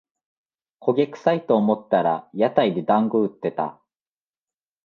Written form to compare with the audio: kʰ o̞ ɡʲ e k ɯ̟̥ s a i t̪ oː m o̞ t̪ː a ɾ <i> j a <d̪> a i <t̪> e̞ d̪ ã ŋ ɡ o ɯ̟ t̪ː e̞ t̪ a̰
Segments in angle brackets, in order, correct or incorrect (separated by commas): incorrect, incorrect, incorrect